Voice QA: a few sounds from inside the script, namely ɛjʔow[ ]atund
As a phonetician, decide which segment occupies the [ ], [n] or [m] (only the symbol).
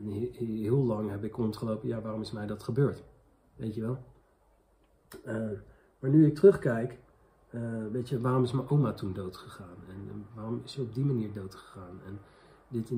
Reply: m